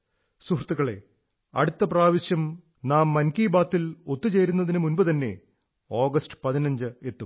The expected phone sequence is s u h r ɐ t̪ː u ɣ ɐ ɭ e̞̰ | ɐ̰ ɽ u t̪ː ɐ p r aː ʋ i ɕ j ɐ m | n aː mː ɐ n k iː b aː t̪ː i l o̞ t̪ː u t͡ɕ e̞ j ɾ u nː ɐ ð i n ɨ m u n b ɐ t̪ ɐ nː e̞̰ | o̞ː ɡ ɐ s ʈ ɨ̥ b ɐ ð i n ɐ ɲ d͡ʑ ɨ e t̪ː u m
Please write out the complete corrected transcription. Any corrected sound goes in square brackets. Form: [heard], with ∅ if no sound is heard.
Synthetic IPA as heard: s u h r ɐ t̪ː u ɣ ɐ ɭ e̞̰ | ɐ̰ ɽ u t̪ː ɐ p r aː ʋ i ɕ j ɐ m | n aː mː ɐ n k iː b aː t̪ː i l o̞ t̪ː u t͡ɕ e̞ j ɾ u nː ɐ ð i n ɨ m u n b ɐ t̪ ɐ nː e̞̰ | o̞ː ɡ ɐ s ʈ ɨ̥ [p] ɐ ð i n ɐ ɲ d͡ʑ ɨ e t̪ː u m